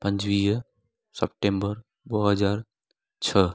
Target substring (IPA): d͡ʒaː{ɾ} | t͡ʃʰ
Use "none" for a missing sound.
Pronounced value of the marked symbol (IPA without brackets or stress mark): ɾ